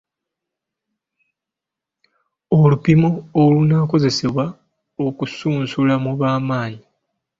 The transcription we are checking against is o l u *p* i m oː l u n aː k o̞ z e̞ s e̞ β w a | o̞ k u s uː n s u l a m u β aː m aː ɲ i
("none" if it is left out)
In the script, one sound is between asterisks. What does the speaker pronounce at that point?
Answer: p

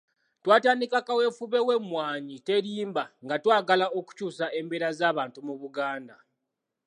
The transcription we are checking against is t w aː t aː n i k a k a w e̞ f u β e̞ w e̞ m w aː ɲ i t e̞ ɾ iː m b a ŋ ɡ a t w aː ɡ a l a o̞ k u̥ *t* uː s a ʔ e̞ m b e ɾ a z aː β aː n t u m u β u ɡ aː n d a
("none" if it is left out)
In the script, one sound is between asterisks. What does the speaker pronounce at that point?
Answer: c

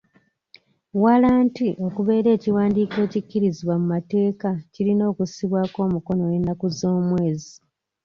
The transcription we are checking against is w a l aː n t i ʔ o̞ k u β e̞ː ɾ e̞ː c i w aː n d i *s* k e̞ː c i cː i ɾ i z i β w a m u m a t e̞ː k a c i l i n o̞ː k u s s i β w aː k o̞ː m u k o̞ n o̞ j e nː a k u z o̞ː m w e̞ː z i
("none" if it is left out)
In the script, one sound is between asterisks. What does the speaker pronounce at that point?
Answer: none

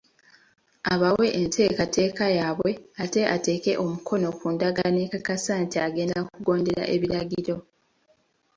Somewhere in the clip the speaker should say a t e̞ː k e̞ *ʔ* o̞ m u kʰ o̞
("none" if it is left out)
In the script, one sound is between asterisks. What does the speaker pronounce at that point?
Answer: ʔ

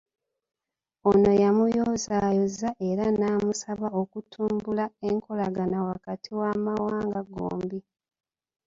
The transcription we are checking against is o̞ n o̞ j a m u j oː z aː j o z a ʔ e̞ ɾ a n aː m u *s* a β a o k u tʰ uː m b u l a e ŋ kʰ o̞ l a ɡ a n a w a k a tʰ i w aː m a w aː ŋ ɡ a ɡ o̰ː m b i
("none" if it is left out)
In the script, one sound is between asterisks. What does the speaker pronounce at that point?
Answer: s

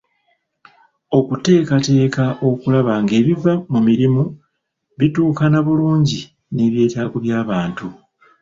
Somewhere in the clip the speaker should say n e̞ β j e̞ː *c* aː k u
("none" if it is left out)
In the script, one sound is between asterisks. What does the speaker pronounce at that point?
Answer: t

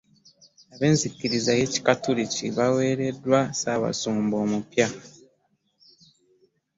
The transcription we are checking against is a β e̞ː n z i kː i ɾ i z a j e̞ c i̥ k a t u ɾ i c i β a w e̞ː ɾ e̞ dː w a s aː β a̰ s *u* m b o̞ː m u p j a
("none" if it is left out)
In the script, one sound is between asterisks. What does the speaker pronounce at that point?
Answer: uː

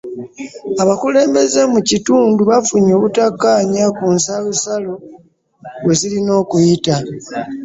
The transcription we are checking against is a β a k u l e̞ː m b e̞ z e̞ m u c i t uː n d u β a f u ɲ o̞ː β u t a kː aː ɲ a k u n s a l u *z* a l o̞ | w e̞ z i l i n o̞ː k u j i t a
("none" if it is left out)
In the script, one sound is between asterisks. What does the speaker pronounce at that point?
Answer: s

